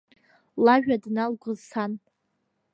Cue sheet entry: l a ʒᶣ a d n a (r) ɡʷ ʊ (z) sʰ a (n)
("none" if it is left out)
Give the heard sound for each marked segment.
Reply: l, z, n

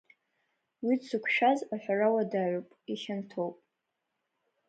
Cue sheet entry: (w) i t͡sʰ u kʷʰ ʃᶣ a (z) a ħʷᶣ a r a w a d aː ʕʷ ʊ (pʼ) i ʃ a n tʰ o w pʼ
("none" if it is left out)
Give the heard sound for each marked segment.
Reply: w, z, pʼ

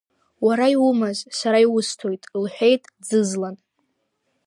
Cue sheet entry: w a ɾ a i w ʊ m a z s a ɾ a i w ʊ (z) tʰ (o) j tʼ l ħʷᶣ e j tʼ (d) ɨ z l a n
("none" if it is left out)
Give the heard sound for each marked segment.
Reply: s, o, d͡z

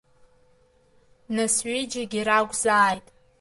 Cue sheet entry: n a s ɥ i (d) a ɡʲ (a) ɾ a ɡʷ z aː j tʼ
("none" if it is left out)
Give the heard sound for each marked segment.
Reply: d͡ʒ, i

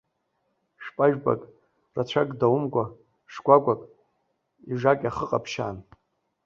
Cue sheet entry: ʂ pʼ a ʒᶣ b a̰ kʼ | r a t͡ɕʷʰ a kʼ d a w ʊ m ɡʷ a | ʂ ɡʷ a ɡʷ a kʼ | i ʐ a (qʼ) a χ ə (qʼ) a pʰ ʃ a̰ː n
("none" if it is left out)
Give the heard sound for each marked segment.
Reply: kʼ, qʼ

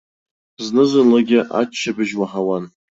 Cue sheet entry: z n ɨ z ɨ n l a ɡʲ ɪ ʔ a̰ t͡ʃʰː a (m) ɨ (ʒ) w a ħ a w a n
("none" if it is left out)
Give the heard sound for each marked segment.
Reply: b, ʒ

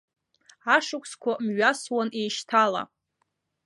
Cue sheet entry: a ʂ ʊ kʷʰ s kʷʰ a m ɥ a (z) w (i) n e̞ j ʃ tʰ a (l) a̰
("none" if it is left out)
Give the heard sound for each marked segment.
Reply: s, a, l

